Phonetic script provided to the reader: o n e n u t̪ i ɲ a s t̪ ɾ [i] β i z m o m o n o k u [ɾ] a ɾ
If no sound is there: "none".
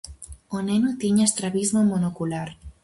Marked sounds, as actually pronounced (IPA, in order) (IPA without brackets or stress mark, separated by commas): a, l